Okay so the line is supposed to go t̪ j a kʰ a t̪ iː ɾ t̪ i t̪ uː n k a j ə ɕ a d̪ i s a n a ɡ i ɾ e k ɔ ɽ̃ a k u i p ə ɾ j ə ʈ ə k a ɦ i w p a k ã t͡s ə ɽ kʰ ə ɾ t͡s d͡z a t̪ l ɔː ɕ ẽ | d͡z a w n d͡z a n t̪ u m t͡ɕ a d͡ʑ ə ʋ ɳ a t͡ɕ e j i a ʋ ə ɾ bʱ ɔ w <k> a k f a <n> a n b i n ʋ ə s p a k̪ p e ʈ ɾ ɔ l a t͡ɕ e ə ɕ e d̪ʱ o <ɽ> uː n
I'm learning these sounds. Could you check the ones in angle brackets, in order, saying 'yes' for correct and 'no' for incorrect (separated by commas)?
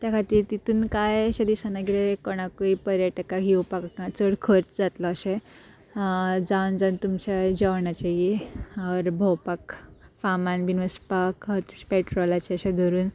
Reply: no, no, no